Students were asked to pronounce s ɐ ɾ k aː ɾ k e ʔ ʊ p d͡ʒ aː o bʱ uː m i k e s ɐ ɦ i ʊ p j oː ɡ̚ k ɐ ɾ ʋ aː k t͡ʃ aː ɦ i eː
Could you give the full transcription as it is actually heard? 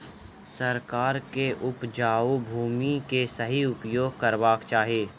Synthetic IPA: s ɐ ɾ k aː ɾ k e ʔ ʊ p d͡ʒ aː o bʱ uː m i k e s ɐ ɦ i ʊ p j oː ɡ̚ k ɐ ɾ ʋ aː k t͡ʃ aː ɦ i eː